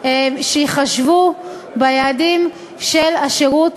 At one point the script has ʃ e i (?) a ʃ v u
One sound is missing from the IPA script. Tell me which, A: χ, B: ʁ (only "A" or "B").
A